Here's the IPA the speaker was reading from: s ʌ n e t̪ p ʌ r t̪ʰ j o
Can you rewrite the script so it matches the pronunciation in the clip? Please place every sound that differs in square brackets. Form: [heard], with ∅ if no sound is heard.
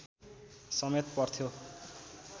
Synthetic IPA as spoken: s ʌ [m] e t̪ p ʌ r t̪ʰ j o